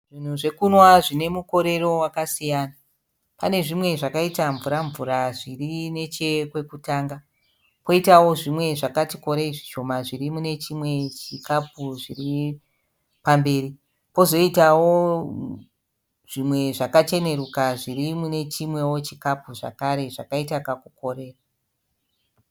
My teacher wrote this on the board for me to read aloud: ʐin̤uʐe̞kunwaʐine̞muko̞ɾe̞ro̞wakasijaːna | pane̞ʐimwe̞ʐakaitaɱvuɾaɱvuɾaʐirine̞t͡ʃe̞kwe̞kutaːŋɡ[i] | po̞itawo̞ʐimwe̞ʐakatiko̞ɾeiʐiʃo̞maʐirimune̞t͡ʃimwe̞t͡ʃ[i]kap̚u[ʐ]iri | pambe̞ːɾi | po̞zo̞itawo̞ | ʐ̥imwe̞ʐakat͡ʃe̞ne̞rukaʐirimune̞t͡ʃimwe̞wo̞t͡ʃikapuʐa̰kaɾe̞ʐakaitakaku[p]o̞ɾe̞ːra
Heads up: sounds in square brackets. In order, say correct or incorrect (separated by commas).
incorrect, correct, correct, incorrect